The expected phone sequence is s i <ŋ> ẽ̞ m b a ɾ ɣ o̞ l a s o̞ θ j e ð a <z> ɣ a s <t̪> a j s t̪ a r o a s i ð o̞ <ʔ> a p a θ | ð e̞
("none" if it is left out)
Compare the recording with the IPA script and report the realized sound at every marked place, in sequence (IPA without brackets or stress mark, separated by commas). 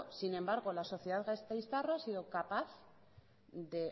n, ð, t̪, k